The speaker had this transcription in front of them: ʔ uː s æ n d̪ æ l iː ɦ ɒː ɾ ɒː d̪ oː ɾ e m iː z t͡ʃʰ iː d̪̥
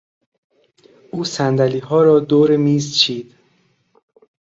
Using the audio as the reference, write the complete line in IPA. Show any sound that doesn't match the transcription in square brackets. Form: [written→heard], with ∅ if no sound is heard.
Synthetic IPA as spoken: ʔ uː s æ n d̪ æ l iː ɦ ɒː ɾ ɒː d̪ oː ɾ e m iː z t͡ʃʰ iː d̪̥

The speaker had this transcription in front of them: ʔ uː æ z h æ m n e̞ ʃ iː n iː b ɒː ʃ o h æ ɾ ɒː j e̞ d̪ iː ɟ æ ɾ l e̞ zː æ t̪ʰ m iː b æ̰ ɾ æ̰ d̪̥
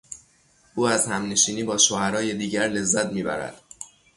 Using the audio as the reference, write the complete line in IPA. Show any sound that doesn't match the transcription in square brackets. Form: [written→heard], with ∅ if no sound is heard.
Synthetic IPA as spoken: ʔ uː æ z h æ m n e̞ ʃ iː n iː b ɒː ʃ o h æ ɾ ɒː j e̞ d̪ iː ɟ æ ɾ l e̞ zː æ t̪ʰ m iː b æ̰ ɾ æ̰ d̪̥

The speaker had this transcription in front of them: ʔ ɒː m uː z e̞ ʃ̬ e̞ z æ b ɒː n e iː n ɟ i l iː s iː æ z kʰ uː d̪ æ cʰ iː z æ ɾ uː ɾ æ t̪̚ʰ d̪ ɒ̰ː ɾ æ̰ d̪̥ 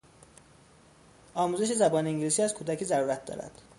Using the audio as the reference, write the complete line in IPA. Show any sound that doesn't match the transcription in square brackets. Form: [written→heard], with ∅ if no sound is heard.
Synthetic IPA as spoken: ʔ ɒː m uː z e̞ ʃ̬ e̞ z æ b ɒː n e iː [n→ŋ] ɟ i l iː s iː æ z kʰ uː d̪ æ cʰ iː z æ ɾ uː ɾ æ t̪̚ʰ d̪ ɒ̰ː ɾ æ̰ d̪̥

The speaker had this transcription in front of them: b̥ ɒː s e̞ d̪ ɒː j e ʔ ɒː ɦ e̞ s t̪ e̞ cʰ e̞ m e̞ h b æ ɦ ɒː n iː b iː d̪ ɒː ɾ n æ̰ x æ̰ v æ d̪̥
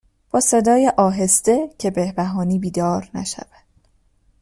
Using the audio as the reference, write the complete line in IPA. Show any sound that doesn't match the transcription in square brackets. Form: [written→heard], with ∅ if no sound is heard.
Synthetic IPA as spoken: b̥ ɒː s e̞ d̪ ɒː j e ʔ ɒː ɦ e̞ s t̪ e̞ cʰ e̞ [m→b] e̞ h b æ ɦ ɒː n iː b iː d̪ ɒː ɾ n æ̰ [x→ʃ] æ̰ v æ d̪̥

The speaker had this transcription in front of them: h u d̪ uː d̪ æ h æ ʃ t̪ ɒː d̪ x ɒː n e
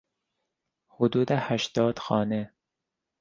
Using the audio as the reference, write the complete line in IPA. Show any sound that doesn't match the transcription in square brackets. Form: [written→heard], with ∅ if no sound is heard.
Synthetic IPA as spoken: h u d̪ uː d̪ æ h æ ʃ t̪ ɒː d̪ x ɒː n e

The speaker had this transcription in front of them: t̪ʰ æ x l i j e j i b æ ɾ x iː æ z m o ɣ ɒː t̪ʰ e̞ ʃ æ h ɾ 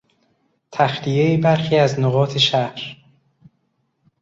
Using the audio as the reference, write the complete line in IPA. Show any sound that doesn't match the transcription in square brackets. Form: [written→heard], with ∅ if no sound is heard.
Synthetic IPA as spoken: t̪ʰ æ x l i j e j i b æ ɾ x iː æ z [m→n] o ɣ ɒː t̪ʰ e̞ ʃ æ h ɾ

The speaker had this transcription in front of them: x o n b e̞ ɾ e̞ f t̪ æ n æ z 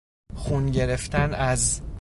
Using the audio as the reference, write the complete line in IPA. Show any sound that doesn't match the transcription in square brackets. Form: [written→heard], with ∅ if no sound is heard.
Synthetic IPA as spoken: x [o→u] n [b→ɟ] e̞ ɾ e̞ f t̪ æ n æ z

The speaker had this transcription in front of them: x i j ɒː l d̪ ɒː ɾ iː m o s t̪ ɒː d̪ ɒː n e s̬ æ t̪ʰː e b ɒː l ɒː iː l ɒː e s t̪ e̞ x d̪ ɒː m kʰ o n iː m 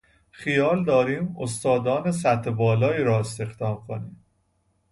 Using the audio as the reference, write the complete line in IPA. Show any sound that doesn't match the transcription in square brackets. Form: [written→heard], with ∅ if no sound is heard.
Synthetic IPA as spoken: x i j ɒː l d̪ ɒː ɾ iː m o s t̪ ɒː d̪ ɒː n e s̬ æ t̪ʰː e b ɒː l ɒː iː [l→ɾ] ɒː e s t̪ e̞ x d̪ ɒː m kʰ o n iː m

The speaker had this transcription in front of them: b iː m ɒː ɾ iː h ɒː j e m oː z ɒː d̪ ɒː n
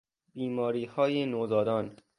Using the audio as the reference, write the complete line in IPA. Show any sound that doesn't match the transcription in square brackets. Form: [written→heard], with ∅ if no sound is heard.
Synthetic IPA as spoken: b iː m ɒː ɾ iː h ɒː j e [m→n] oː z ɒː d̪ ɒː n

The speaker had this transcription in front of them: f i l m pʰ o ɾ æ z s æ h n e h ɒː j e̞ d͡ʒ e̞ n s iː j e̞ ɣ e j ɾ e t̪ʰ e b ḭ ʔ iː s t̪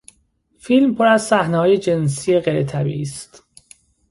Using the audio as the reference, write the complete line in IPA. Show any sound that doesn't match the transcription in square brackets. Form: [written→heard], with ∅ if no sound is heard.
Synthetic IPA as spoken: f i l m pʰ o ɾ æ z s æ h n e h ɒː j e̞ d͡ʒ e̞ n s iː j e̞ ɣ e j ɾ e t̪ʰ [e→æ] b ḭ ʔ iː s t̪

